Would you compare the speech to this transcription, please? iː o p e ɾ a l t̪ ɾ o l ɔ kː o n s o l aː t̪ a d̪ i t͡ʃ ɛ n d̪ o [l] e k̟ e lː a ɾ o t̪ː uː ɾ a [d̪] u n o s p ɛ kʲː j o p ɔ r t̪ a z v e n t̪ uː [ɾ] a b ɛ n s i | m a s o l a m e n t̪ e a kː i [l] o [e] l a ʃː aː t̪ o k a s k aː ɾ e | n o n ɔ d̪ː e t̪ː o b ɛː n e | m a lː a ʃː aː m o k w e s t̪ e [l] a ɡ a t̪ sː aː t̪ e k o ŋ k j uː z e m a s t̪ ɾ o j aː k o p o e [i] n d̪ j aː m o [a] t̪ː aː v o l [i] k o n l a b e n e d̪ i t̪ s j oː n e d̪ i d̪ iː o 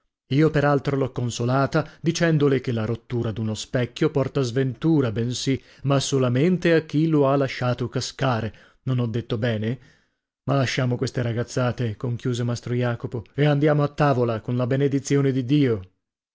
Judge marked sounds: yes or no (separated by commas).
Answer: yes, yes, yes, yes, no, no, no, yes, no